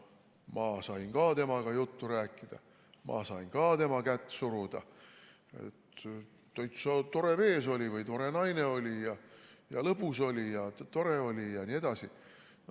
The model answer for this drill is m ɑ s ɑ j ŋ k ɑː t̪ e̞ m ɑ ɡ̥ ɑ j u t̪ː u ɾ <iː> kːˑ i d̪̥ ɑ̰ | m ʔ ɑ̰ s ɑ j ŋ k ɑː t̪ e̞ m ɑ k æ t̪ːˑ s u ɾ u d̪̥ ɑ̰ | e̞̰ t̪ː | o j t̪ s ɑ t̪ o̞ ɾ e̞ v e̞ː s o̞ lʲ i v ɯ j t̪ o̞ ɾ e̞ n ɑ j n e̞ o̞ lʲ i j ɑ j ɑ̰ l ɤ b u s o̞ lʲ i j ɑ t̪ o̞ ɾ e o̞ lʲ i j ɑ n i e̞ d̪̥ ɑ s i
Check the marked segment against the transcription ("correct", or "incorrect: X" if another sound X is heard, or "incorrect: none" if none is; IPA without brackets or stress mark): incorrect: æː